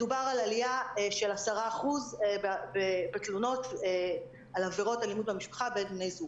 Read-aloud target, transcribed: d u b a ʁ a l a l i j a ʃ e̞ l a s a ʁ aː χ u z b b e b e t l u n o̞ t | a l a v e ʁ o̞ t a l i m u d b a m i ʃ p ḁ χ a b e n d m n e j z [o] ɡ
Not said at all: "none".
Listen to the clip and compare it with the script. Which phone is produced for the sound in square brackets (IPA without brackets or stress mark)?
u